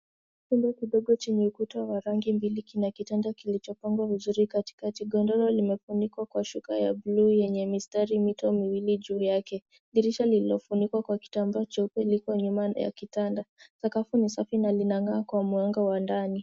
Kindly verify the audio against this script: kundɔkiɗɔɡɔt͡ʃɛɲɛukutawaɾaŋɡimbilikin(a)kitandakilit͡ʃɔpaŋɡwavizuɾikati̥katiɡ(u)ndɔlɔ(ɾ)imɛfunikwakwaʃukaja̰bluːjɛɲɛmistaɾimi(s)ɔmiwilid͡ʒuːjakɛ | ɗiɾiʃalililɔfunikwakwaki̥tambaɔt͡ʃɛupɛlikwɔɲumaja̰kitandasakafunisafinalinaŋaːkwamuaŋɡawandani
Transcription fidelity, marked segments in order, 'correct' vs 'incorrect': correct, incorrect: ɔ, incorrect: l, incorrect: t

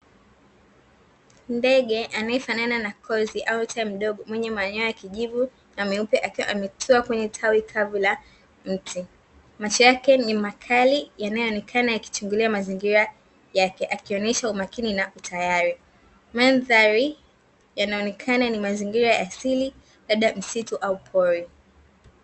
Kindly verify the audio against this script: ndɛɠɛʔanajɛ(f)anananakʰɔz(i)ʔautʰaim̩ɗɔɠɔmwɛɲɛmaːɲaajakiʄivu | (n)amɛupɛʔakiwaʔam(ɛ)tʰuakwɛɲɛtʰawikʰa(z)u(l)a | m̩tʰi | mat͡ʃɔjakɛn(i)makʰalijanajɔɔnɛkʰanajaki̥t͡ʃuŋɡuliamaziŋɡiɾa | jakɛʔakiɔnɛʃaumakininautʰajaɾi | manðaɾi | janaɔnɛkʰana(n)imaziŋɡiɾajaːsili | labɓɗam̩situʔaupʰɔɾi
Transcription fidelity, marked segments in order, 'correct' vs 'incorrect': correct, correct, correct, correct, incorrect: v, correct, correct, correct

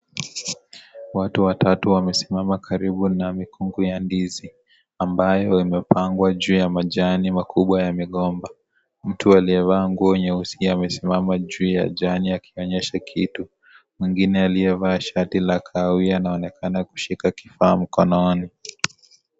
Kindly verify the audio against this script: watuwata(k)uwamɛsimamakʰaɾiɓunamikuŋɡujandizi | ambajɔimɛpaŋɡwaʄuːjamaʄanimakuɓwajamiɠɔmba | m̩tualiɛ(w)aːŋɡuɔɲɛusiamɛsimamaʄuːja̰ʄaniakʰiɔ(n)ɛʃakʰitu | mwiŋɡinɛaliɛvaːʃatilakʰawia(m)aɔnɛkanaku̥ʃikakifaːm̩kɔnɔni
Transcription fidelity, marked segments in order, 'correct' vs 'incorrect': incorrect: t, incorrect: v, incorrect: ɲ, incorrect: n

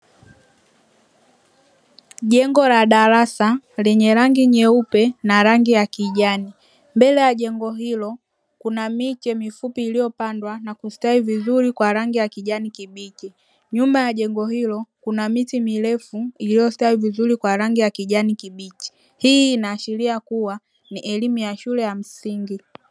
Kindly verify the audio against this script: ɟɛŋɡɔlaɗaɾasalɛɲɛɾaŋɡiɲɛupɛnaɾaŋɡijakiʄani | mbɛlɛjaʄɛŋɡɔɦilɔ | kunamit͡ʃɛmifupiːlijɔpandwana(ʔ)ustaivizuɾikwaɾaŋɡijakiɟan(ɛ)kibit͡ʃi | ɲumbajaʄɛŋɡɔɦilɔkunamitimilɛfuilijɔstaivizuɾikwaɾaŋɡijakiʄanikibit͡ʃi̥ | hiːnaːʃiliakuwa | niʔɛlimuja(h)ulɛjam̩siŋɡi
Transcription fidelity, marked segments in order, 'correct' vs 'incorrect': incorrect: k, incorrect: i, incorrect: ʃ

